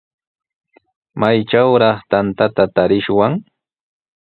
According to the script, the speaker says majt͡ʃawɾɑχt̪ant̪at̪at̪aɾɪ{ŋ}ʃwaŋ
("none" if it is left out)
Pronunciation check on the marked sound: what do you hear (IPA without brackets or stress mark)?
none